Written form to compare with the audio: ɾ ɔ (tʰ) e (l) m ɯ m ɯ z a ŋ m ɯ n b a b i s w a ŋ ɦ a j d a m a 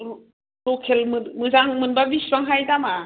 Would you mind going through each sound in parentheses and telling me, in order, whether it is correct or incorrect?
incorrect, correct

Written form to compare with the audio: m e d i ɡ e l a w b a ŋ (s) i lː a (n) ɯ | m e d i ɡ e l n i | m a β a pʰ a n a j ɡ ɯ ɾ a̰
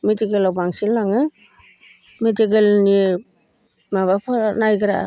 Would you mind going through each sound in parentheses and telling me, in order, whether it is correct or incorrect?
correct, incorrect

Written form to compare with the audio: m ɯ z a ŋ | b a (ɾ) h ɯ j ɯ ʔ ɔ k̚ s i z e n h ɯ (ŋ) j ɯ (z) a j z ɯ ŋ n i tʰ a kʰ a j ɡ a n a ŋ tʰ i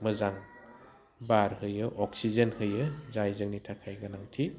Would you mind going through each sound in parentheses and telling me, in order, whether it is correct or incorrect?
correct, incorrect, correct

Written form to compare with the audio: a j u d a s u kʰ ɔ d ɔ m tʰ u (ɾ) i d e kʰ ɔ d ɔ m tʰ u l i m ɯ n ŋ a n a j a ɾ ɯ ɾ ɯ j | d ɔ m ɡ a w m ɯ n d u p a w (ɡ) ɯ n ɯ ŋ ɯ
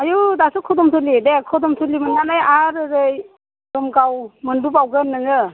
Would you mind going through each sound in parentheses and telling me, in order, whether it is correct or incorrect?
incorrect, correct

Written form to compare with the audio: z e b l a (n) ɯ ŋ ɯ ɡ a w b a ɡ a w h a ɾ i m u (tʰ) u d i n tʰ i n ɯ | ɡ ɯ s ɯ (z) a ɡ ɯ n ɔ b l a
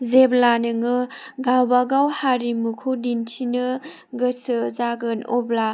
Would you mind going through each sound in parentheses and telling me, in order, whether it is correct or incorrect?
correct, incorrect, correct

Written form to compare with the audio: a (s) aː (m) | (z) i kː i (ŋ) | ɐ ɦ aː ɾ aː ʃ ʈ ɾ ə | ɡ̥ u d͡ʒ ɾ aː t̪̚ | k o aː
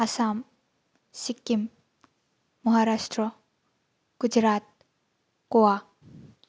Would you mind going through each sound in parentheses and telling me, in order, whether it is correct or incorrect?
correct, correct, incorrect, incorrect

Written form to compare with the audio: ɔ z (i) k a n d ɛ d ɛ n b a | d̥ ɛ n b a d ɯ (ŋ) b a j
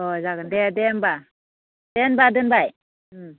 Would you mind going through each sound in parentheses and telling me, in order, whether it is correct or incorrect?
incorrect, incorrect

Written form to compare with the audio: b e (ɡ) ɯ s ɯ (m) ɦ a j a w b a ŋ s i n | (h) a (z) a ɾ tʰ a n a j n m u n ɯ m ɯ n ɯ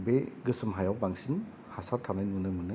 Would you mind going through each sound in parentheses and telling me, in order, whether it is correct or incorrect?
correct, correct, correct, incorrect

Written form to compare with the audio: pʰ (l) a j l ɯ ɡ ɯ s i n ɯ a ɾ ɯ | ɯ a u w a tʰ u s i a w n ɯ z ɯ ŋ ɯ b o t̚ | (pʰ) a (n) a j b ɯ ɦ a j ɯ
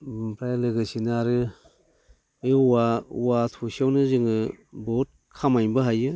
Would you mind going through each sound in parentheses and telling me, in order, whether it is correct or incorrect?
incorrect, incorrect, incorrect

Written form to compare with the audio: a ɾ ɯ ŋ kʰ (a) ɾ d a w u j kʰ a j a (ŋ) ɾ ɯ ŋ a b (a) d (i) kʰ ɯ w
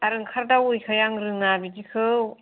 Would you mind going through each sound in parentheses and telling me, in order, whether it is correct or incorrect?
correct, correct, incorrect, correct

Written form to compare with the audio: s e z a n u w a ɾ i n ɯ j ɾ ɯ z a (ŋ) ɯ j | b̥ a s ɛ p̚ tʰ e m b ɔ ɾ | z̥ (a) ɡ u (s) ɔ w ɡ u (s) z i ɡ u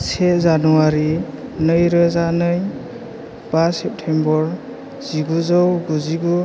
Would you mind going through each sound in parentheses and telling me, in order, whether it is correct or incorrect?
incorrect, incorrect, incorrect, incorrect

